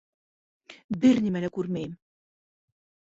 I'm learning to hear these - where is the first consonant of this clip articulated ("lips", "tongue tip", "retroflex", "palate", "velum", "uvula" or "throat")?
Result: lips